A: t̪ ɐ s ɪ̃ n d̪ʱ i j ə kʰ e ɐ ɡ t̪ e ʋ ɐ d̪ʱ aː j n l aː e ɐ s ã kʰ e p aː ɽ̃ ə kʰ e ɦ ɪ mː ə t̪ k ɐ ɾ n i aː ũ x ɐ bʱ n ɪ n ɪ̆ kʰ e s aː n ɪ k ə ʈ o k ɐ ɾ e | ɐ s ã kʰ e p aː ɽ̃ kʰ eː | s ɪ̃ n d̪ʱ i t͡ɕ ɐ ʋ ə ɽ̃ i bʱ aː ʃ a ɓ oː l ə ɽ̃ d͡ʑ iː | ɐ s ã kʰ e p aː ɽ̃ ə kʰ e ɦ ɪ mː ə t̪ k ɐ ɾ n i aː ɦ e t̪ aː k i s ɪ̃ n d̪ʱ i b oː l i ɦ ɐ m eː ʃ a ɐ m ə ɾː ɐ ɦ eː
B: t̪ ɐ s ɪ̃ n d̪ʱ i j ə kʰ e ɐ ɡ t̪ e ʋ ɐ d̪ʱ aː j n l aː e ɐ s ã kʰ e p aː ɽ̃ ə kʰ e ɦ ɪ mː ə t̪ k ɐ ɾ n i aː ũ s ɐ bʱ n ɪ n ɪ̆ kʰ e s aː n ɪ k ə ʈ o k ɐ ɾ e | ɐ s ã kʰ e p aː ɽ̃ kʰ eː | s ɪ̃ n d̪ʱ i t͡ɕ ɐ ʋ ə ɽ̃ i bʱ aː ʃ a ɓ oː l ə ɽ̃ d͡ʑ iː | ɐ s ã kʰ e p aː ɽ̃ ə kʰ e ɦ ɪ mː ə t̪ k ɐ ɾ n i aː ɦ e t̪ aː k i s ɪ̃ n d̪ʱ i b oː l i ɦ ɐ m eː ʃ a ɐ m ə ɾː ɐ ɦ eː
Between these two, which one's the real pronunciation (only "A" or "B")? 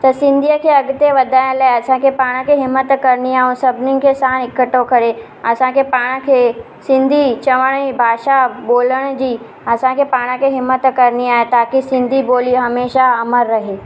B